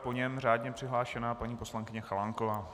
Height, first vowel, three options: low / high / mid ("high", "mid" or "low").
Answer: mid